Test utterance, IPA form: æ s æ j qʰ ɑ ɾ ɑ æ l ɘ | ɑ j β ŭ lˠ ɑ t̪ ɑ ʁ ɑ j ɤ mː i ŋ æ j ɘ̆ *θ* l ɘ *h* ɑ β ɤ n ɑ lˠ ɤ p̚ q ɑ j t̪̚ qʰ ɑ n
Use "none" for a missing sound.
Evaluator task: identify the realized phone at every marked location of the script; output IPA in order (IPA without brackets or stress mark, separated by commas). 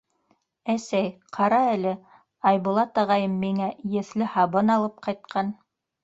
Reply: θ, h